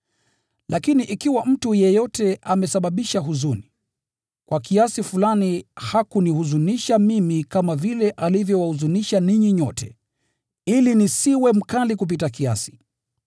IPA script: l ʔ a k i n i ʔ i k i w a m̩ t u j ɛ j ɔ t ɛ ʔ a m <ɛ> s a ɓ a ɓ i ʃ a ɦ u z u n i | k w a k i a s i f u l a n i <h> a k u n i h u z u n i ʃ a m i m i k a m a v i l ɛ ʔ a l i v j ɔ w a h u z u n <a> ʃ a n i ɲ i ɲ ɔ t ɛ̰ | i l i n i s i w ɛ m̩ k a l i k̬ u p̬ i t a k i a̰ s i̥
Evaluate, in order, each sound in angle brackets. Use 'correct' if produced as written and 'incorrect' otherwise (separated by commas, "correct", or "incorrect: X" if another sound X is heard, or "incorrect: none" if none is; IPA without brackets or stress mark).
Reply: correct, correct, incorrect: i